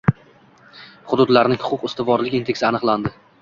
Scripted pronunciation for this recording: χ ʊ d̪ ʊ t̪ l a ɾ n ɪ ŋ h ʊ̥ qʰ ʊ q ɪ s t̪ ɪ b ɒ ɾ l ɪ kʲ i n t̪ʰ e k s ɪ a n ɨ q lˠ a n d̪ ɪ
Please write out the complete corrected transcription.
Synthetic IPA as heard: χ ʊ d̪ ʊ d̪ l a ɾ n ɪ ŋ h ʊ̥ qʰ ʊ q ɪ s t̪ ɪ v ɒ ɾ l ɪ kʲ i n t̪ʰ e k s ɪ a n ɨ q lˠ a n d̪ ɪ

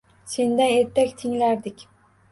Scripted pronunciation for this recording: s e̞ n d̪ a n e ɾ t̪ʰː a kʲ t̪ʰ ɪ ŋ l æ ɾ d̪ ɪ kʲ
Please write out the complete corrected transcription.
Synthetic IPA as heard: s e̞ n d̪ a n e ɾ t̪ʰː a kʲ t̪ʰ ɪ ŋ l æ ɾ d̪ ɪ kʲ

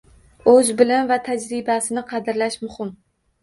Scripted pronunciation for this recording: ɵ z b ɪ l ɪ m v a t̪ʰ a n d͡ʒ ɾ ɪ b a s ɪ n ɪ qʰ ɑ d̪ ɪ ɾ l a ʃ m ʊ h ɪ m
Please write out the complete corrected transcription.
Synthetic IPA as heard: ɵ z b ɪ l ɪ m v a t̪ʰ a d͡ʒ ɾ ɪ b a s ɪ n ɪ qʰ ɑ d̪ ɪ ɾ l a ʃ m ʊ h ɪ m

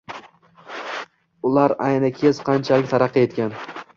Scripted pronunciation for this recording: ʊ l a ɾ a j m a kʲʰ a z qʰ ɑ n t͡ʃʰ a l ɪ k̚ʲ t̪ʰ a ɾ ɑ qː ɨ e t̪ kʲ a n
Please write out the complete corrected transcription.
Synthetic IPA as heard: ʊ l a ɾ a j n a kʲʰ e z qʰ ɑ n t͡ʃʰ a l ɪ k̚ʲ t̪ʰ a ɾ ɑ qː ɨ e t̪ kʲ a n

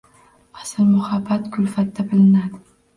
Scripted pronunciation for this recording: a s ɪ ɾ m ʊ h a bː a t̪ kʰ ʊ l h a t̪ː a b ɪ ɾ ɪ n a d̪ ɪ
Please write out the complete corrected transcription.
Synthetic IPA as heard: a s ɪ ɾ m ʊ h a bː a t̪ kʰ ʊ l f a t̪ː a b ɪ l ɪ n a d̪ ɪ

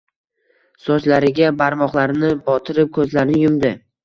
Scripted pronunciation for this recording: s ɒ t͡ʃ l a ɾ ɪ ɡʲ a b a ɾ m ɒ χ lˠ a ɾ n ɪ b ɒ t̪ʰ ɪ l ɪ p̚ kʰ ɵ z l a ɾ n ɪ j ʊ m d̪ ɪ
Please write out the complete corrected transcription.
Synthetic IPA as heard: s ɒ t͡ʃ l a ɾ ɪ ɡʲ a b a ɾ m ɒ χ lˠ a ɾ n ɪ b ɒ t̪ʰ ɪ ɾ ɪ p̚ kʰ ɵ z l a ɾ n ɪ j ʊ m d̪ ɪ

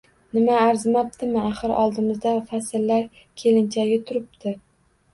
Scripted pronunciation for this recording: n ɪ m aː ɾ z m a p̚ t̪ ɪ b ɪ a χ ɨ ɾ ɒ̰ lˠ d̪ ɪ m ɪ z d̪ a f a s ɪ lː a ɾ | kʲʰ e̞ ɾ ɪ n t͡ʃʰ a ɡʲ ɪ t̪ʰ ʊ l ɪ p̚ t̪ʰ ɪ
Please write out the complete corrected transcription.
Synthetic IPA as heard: n ɪ m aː ɾ z m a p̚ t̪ ɪ m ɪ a χ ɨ ɾ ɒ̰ lˠ d̪ ɪ m ɪ z d̪ a f a s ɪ lː a ɾ | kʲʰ e̞ l ɪ n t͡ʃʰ a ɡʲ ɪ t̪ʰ ʊ ɾ ɪ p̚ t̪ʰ ɪ

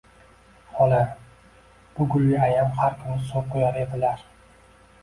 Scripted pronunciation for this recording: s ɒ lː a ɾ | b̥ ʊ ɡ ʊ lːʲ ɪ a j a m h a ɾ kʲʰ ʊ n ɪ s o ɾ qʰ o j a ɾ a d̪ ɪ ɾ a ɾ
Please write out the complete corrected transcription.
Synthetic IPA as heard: h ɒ l a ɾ | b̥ ʊ ɡ ʊ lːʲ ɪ a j a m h a ɾ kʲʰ ʊ n ɪ s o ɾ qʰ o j a ɾ e d̪ ɪ l a ɾ

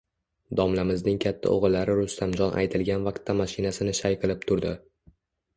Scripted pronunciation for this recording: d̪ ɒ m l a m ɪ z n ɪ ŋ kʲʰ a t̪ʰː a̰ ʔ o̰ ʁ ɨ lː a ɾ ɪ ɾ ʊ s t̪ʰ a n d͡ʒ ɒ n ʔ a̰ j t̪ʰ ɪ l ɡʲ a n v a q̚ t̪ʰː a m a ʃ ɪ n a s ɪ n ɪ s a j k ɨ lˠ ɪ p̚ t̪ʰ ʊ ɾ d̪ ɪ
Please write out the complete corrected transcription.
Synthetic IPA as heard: d̪ ɒ m l a m ɪ z n ɪ ŋ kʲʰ a t̪ʰː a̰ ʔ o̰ ʁ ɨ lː a ɾ ɪ ɾ ʊ s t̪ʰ a m d͡ʒ ɒ n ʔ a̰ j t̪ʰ ɪ l ɡʲ a n v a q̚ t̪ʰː a m a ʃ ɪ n a s ɪ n ɪ ʃ a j q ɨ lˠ ɪ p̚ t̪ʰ ʊ ɾ d̪ ɪ

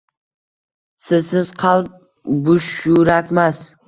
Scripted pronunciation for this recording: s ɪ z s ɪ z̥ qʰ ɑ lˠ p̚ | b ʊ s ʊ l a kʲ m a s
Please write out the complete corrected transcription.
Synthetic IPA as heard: s ɪ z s ɪ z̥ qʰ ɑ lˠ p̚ | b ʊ ʃ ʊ ɾ a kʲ m a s

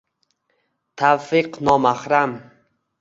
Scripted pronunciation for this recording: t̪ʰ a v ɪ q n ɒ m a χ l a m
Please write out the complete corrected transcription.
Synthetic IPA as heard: t̪ʰ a f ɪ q n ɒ m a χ ɾ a m

